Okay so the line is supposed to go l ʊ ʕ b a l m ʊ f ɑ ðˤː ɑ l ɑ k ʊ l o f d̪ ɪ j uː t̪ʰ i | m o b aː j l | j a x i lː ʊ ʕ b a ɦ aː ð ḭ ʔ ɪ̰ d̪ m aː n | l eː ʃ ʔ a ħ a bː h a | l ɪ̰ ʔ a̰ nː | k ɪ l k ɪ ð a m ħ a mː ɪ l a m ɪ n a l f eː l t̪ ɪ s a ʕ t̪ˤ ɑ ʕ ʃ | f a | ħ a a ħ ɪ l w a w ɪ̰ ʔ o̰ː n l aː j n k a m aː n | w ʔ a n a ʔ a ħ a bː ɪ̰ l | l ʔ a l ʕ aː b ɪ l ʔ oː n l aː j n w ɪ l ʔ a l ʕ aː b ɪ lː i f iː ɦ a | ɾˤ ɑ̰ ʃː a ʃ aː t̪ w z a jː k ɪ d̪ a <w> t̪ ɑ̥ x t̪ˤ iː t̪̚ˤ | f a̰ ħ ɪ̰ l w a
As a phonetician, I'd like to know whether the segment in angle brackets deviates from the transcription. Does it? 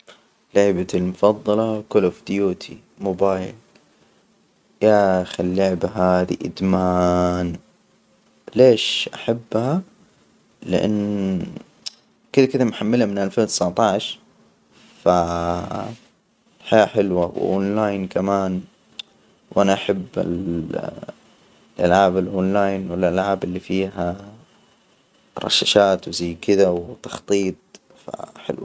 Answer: no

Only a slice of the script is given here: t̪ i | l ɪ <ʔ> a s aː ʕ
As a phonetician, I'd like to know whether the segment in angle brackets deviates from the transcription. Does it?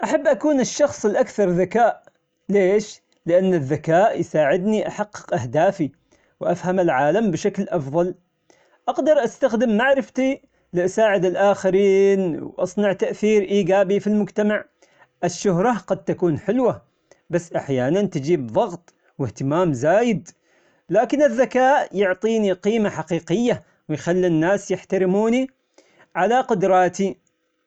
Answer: no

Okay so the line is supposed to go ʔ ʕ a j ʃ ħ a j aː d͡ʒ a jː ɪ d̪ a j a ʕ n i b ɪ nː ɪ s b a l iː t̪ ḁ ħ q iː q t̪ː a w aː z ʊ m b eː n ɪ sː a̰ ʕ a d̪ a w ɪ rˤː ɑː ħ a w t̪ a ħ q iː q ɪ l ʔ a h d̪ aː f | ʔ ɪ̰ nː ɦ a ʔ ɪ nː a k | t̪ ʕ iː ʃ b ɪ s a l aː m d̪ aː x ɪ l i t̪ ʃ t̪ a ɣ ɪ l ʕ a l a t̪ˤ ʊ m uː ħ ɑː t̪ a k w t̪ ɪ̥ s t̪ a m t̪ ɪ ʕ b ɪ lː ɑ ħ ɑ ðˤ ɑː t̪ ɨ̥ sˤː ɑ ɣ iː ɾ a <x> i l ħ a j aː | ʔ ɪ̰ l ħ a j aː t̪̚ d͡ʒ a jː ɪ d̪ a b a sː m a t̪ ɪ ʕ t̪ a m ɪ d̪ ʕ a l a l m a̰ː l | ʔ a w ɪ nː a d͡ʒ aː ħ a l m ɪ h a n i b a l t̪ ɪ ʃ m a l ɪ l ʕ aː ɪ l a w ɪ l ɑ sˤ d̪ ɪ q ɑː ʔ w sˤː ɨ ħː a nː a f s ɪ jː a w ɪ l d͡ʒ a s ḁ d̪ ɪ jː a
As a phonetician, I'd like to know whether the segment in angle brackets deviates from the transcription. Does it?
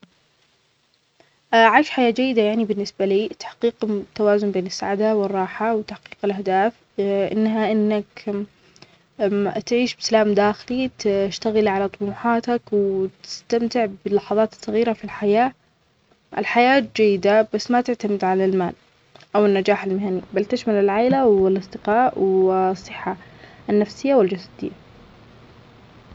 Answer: yes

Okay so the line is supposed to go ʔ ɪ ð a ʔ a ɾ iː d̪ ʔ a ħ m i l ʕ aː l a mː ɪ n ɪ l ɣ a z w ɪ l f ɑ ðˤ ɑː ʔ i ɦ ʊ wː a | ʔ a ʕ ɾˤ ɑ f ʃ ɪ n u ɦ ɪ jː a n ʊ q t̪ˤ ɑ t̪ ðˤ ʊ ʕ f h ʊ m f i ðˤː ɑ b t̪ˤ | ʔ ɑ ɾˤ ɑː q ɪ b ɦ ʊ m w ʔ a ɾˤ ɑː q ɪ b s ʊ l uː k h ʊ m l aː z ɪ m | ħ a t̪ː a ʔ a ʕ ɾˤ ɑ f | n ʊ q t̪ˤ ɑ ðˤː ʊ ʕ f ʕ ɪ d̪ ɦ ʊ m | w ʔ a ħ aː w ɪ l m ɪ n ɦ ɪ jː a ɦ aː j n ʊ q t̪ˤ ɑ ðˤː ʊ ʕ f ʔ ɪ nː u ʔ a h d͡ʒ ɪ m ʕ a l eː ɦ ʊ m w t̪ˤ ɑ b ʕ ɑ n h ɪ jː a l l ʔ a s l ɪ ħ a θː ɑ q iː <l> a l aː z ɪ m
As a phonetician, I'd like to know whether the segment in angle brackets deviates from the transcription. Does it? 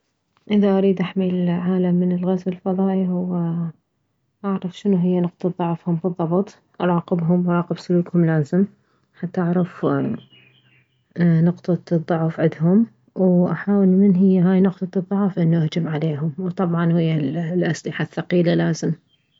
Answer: no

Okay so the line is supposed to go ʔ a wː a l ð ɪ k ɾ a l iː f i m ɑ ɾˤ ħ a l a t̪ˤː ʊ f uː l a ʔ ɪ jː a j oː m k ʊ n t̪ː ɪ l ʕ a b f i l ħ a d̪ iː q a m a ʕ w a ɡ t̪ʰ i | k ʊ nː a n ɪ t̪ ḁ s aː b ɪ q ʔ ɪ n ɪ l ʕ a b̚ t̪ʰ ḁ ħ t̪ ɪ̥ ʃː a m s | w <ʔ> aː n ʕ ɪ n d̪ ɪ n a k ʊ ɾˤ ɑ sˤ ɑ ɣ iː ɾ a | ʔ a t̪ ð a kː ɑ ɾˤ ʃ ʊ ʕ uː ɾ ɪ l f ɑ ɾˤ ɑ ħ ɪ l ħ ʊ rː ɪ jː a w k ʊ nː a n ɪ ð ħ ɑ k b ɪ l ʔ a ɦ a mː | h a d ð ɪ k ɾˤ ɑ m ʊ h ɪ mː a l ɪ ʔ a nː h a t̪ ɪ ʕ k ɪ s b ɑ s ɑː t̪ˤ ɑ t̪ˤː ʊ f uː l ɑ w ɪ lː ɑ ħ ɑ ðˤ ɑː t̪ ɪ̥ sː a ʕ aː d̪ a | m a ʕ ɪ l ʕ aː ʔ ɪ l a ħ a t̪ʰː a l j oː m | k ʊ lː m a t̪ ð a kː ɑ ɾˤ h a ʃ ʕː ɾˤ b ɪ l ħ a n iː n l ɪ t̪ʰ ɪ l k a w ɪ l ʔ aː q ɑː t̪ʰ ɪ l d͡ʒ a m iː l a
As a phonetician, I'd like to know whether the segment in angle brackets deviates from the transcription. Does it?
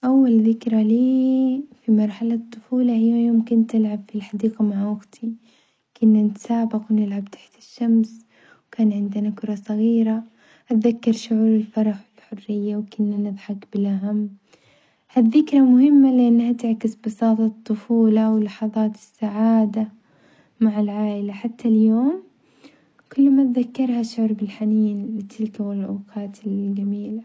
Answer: yes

